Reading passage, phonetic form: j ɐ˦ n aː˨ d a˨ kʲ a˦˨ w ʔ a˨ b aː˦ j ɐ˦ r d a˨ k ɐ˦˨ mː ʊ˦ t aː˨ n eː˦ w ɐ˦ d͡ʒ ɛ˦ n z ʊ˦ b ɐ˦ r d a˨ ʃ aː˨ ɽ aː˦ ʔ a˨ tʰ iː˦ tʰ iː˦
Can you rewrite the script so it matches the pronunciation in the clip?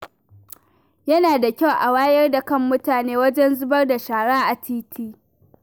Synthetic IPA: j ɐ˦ n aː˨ d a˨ kʲ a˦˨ w ʔ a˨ w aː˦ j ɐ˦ r d a˨ k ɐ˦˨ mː ʊ˦ t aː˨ n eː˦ w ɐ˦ d͡ʒ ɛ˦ n z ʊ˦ b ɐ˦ r d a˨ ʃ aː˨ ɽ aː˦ ʔ a˨ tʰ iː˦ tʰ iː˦